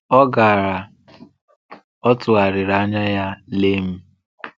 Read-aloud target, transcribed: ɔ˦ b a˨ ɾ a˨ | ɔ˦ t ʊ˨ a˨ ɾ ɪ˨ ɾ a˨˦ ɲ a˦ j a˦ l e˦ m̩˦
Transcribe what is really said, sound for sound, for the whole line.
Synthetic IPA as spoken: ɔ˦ ɡ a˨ ɾ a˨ | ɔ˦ t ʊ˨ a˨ ɾ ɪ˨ ɾ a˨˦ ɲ a˦ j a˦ l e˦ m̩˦

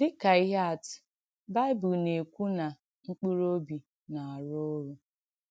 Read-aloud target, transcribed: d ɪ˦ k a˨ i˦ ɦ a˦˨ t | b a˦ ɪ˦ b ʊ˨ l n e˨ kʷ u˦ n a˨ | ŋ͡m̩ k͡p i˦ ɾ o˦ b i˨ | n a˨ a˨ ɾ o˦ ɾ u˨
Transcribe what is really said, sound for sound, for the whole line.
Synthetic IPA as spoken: d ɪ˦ k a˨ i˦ ɦ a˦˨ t | b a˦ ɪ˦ b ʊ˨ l n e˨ kʷ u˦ n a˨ | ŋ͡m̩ k͡p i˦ ɾ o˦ b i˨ | n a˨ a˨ ɾ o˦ ɾ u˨

